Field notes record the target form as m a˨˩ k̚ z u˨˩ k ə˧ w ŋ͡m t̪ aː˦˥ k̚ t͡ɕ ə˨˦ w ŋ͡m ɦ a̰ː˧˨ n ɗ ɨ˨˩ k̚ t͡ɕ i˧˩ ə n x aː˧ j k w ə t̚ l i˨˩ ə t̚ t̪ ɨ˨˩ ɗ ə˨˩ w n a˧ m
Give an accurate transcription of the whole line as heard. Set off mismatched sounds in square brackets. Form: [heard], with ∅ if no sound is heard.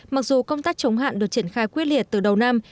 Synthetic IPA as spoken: m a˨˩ k̚ z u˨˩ k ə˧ w ŋ͡m t̪ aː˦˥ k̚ t͡ɕ ə˨˦ w ŋ͡m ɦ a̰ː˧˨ n ɗ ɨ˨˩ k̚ t͡ɕ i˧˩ ə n x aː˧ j k w ə t̚ l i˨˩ ə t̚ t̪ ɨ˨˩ ɗ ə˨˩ w n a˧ m